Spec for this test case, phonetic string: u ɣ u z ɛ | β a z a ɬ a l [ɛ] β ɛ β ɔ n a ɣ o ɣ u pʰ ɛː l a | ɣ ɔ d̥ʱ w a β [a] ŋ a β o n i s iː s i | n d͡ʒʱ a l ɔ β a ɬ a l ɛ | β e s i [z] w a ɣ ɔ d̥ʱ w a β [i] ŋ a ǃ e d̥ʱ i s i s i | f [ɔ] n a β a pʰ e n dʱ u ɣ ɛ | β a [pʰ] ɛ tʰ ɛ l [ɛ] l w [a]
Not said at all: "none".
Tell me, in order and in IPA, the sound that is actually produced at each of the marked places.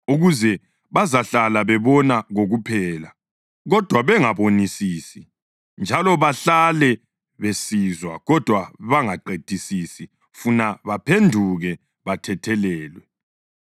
a, ɛ, z, a, u, tʰ, ɛː, ɛ

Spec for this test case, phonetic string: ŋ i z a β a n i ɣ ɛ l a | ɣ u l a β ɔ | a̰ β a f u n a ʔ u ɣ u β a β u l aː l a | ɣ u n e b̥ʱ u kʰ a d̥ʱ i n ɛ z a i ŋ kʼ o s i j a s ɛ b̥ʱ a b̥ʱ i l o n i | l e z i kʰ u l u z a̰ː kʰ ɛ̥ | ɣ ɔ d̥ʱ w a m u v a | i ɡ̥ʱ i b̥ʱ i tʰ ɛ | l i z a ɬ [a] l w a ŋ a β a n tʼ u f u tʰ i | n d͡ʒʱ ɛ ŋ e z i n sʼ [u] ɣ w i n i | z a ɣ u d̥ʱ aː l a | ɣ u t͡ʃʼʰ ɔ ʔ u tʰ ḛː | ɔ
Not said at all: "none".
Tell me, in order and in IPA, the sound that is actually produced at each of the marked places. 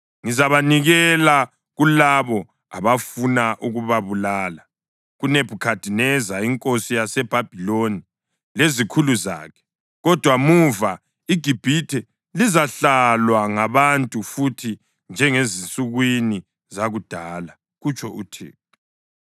a, u

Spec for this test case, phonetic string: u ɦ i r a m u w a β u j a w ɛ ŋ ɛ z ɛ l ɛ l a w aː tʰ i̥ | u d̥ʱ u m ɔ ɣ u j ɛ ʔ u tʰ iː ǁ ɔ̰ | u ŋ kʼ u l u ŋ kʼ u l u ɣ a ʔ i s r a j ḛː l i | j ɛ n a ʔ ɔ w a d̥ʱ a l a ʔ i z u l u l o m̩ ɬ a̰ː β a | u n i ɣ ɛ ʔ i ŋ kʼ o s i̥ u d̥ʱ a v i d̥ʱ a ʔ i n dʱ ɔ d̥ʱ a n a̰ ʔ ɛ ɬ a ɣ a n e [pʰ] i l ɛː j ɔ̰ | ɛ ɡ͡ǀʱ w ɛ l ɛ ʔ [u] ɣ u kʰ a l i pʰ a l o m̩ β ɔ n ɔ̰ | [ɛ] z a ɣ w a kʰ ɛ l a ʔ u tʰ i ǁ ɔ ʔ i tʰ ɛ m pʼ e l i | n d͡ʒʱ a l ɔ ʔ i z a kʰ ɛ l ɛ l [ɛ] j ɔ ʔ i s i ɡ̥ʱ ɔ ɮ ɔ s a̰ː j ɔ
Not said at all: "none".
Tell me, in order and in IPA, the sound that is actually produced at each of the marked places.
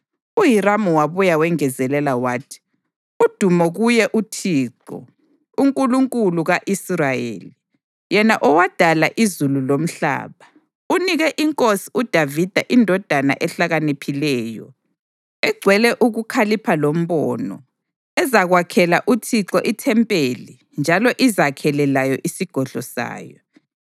pʰ, u, ɛ, a

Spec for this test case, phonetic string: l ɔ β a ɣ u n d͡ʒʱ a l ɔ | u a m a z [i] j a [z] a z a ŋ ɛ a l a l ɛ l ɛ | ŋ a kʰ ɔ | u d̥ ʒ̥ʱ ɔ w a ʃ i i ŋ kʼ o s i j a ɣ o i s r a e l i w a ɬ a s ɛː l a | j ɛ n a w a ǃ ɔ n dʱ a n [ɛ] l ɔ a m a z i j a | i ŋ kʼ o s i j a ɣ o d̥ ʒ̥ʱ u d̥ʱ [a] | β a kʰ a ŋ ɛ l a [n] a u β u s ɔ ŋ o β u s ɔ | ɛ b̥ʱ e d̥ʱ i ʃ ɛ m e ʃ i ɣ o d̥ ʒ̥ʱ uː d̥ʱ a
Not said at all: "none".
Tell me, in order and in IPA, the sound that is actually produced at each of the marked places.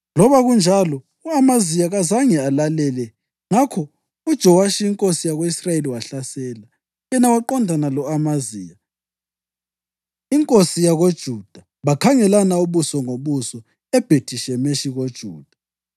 i, ɣ, a, a, n

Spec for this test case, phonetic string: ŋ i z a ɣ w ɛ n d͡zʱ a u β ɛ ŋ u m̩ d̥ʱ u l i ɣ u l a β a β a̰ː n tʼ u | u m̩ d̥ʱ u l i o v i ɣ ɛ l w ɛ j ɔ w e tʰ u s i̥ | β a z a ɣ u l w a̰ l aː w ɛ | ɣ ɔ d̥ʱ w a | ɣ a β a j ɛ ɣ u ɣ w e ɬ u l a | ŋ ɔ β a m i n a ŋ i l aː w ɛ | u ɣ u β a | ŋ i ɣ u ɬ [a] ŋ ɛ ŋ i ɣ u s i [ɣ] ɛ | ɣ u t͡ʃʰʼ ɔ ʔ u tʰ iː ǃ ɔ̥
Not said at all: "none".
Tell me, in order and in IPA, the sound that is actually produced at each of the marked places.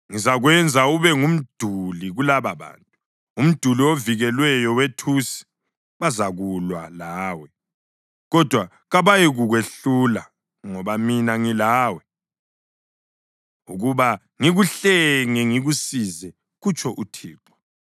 ɛ, z

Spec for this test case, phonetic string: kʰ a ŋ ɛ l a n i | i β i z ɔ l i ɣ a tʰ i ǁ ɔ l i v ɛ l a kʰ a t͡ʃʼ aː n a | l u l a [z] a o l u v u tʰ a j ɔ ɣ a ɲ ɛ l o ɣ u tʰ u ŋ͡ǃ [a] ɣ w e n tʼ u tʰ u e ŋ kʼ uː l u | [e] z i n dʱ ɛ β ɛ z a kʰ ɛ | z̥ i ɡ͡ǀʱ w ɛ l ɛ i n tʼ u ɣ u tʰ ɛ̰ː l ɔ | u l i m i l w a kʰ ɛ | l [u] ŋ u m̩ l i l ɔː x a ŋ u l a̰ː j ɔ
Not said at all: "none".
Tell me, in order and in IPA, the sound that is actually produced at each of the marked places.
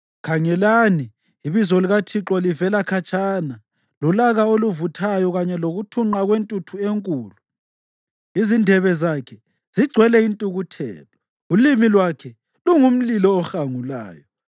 ɣ, a, i, u

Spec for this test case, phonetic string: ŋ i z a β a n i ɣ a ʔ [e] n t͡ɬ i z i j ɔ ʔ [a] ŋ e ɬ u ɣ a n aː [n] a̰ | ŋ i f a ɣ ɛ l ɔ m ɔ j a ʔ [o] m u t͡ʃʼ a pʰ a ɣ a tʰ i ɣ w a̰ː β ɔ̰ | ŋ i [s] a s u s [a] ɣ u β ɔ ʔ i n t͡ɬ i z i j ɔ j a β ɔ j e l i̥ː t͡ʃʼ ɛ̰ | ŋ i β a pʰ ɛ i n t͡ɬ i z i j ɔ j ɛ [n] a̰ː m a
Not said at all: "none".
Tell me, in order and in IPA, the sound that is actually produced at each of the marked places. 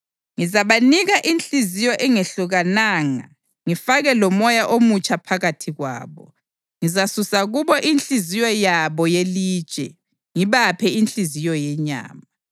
i, ɛ, ŋ, o, z, a, ɲ

